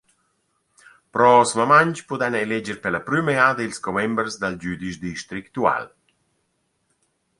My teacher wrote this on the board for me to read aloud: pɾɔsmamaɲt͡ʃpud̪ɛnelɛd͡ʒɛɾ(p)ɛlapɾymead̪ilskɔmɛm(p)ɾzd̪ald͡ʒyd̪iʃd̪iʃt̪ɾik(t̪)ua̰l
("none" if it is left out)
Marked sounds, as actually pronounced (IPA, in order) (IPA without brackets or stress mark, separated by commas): p, b, t̪